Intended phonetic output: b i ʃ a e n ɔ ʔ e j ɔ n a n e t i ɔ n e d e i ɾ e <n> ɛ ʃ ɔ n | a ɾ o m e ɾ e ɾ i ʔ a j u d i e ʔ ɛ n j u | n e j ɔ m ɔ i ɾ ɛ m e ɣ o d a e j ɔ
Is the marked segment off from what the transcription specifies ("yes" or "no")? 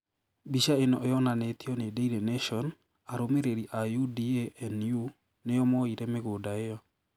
no